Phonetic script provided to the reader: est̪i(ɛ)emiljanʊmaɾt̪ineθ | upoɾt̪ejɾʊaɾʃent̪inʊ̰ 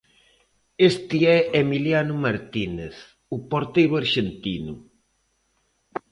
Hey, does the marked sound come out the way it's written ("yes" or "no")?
yes